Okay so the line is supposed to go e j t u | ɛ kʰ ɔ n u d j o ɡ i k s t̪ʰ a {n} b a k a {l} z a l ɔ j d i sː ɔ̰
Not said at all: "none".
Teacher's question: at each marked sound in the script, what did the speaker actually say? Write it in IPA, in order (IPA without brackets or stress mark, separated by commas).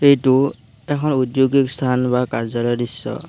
n, ɹ